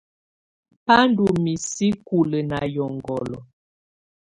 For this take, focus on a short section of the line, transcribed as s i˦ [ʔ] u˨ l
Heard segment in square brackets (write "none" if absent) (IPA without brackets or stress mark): k